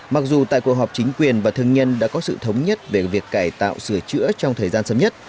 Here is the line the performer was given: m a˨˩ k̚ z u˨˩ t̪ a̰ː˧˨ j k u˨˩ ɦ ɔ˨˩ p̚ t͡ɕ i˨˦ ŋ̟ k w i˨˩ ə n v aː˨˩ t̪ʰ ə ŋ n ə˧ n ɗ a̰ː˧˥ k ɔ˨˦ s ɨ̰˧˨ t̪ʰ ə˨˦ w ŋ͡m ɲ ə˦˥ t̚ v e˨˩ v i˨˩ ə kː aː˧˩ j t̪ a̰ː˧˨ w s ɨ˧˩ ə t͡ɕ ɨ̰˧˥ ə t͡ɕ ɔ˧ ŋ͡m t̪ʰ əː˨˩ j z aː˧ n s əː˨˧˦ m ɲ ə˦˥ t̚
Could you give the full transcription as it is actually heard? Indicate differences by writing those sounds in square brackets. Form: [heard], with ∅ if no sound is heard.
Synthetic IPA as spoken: m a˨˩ k̚ z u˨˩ t̪ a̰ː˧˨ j k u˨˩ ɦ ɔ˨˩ p̚ t͡ɕ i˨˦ ŋ̟ k w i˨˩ ə n v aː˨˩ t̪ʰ ə ŋ [ɲ] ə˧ n ɗ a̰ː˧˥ k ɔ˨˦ s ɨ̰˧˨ t̪ʰ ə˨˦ w ŋ͡m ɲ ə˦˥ t̚ v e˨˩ v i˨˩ ə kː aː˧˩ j t̪ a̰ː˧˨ w s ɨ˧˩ ə t͡ɕ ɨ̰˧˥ ə t͡ɕ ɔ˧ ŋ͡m t̪ʰ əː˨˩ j z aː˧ n s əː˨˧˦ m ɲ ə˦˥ t̚